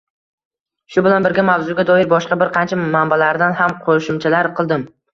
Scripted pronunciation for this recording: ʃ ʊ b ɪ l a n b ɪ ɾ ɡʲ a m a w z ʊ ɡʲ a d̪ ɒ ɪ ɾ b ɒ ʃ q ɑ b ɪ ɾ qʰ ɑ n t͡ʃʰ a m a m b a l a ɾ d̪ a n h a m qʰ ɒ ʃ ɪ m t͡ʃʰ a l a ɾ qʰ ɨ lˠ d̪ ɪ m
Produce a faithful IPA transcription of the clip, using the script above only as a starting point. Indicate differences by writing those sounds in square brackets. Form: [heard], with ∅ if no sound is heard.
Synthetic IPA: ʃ ʊ b ɪ l a n b ɪ ɾ ɡʲ a m a w z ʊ ɡʲ a d̪ ɒ ɪ ɾ b ɒ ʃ q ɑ b ɪ ɾ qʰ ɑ n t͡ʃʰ a m a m b a l a ɾ d̪ a n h a m qʰ [o] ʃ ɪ m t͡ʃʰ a l a ɾ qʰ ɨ lˠ d̪ ɪ m